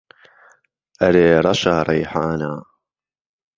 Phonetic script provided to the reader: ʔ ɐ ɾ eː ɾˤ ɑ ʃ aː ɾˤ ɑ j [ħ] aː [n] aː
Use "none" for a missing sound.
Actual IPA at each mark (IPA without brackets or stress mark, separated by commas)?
ħ, n